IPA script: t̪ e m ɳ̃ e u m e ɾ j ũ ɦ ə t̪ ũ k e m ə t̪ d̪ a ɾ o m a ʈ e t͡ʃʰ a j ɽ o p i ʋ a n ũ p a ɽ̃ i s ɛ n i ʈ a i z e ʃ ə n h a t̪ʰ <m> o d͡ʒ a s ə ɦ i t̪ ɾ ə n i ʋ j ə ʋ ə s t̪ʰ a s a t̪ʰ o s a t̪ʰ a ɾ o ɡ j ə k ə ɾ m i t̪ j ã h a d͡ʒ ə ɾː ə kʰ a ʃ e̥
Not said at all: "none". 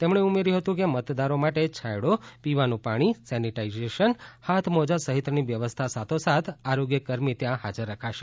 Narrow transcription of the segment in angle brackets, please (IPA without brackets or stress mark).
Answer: m